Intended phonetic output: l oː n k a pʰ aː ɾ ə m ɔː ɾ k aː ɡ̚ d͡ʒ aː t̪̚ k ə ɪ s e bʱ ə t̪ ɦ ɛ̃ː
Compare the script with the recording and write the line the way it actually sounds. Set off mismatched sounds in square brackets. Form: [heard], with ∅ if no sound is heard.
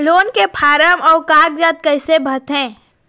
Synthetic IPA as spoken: l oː n k [e] pʰ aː ɾ ə m ɔː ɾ k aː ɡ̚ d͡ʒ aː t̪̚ k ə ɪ s e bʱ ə t̪ ɦ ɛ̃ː